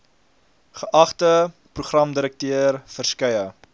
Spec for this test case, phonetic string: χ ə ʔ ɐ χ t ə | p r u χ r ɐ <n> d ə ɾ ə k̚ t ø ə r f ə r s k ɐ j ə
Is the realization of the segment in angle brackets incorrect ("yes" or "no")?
yes